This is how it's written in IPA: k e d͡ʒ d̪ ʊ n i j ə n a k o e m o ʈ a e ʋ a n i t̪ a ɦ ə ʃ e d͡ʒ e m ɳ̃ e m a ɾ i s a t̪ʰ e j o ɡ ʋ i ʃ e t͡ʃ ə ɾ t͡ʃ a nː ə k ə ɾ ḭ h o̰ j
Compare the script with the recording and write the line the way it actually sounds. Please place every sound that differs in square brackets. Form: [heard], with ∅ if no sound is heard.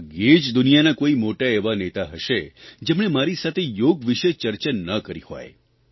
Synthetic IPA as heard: [ɡ] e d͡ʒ d̪ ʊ n i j [a] n a k o [i] m o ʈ a e ʋ a n [e] t̪ a ɦ ə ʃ e d͡ʒ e m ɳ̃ e m a ɾ i s a t̪ʰ e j o ɡ ʋ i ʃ e t͡ʃ ə ɾ t͡ʃ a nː ə k ə ɾ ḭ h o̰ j

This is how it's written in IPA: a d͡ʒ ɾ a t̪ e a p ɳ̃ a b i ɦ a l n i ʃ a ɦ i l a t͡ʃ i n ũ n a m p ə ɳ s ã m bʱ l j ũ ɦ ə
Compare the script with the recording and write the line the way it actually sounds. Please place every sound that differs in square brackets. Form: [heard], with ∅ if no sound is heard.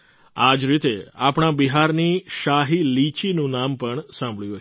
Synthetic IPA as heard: a d͡ʒ ɾ [i] t̪ e a p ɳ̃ a b i ɦ a [ɾ] n i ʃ a ɦ i l [i] t͡ʃ i n ũ n a m p ə ɳ s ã m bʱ [ɭ] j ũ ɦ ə

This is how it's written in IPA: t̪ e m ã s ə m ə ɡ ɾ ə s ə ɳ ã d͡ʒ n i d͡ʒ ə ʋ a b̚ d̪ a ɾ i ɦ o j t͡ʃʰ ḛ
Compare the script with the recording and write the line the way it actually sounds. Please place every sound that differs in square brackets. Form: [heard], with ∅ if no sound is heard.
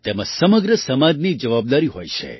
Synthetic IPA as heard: t̪ e m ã s ə m ə ɡ ɾ ə s ə [m] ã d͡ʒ n i d͡ʒ ə ʋ a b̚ d̪ a ɾ i ɦ o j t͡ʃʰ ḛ

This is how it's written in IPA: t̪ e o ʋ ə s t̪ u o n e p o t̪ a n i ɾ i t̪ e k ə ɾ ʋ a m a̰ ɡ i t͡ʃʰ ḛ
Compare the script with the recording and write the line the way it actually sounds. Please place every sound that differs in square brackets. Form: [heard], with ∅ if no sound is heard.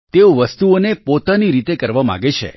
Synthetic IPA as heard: t̪ e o ʋ ə s t̪ u o n e p o t̪ a n i ɾ i t̪ e k ə ɾ ʋ a m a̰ ɡ [e] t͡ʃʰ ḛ

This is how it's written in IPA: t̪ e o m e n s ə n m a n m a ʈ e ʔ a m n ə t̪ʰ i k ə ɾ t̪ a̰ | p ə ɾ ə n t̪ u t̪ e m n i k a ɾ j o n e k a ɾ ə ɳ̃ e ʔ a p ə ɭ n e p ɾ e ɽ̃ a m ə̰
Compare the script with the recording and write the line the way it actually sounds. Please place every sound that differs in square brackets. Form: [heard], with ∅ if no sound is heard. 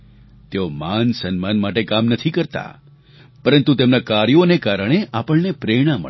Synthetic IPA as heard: t̪ e o m [a] n s ə n m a n m a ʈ e [k] a m n ə t̪ʰ i k ə ɾ t̪ a̰ | p ə ɾ ə n t̪ u t̪ e m n [a] k a ɾ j o n e k a ɾ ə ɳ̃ e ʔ a p ə ɭ n e p ɾ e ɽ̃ a m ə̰

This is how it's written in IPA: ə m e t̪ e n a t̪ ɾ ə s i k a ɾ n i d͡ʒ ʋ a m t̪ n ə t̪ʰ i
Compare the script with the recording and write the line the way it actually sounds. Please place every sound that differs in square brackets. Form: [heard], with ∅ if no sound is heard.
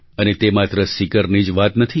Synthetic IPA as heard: ə [n] e t̪ e [m] a t̪ ɾ ə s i k [ə] ɾ n i d͡ʒ ʋ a [∅] t̪ n ə t̪ʰ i

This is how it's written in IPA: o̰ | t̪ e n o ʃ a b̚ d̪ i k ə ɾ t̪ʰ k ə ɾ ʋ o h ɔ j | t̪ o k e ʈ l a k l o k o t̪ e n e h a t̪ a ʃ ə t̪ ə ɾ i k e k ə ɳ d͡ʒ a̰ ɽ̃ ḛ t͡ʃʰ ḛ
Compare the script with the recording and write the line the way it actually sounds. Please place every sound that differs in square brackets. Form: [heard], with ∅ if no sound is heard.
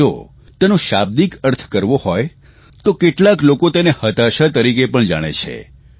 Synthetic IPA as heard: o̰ | t̪ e n o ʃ a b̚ d̪ i k ə ɾ t̪ʰ k ə ɾ ʋ o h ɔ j | t̪ o k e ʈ l a k l o k o t̪ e n e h [ə] t̪ a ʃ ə t̪ ə ɾ i k e [p] ə ɳ d͡ʒ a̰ ɽ̃ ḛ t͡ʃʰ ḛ

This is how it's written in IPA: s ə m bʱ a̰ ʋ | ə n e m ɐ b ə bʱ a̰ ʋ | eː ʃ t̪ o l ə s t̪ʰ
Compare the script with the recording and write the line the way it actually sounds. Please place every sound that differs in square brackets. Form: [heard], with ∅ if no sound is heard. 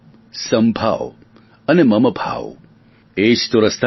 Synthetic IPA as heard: s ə m bʱ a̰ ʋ | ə n e m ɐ [m] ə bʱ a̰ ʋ | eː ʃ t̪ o [ɾ] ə s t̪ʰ

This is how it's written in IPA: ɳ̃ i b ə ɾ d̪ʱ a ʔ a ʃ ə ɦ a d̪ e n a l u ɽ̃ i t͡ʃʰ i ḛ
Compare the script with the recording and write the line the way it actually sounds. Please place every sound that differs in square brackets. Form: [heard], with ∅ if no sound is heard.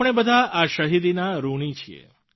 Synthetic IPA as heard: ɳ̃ [e] b ə [∅] d̪ʱ a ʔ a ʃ ə ɦ [i] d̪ [i] n a [ɾ] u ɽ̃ i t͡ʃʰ i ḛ

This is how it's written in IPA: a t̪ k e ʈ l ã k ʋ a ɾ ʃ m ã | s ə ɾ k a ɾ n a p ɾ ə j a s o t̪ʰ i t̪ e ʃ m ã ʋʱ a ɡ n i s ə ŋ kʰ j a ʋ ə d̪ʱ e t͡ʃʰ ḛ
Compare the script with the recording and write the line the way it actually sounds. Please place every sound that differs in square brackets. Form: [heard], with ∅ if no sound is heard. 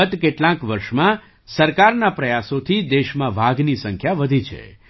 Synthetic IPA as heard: [ə] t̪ k e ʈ l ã k ʋ [ə] ɾ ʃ m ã | s ə ɾ k a ɾ n a p ɾ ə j a s o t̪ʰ i [d̪] e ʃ m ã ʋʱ a ɡ n i s ə ŋ kʰ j a ʋ ə d̪ʱ [i] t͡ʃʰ ḛ

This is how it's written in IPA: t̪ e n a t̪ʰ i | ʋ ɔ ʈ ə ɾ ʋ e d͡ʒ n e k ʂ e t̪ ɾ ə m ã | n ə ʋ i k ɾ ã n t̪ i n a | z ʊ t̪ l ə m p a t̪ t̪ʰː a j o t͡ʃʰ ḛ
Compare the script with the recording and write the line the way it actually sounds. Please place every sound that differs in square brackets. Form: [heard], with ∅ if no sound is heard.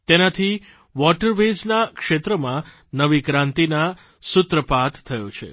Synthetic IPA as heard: t̪ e n a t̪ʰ i | ʋ ɔ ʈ ə ɾ ʋ e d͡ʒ n [a] k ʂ e t̪ ɾ ə m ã | n ə ʋ i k ɾ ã n t̪ i n a | [s] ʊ t̪ [ɾ] ə [∅] p a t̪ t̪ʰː [ə] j o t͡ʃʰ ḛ

